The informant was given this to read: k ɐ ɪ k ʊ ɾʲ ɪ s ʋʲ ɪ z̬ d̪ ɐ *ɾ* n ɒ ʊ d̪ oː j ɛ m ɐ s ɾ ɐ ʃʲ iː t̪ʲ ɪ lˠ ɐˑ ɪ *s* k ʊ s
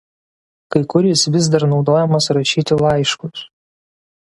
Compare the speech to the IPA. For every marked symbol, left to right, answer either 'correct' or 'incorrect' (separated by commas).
correct, incorrect